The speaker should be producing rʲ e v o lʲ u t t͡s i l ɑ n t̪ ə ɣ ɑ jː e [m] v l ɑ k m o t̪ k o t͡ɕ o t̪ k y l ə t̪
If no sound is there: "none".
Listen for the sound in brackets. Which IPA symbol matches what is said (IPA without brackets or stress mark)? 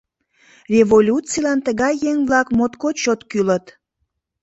ŋ